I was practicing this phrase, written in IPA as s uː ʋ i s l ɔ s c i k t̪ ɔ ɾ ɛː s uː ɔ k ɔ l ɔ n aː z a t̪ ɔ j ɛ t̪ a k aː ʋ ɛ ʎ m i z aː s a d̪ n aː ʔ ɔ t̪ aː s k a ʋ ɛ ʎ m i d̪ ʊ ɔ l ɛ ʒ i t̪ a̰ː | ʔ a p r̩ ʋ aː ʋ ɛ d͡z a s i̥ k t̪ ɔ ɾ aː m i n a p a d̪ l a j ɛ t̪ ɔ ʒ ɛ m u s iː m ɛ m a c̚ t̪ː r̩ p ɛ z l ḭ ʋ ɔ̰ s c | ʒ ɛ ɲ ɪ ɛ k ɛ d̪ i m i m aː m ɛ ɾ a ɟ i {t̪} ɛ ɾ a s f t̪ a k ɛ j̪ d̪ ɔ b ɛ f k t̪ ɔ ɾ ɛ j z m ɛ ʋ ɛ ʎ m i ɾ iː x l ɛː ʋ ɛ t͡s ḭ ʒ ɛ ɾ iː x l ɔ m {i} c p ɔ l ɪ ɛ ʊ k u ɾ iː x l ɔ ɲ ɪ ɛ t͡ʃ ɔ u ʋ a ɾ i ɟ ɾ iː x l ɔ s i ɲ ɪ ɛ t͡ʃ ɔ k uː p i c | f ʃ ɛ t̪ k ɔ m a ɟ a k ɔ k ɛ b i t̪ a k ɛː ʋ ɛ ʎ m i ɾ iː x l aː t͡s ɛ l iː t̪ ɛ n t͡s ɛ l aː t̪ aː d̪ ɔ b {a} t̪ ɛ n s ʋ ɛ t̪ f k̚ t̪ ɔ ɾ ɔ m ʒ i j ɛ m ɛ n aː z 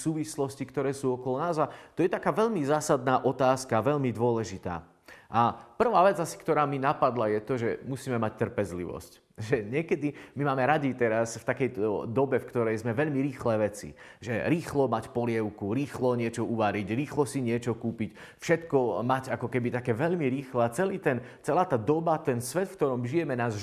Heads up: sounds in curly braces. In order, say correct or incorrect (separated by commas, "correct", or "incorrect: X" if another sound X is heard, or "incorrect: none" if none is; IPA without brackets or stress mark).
correct, incorrect: a, correct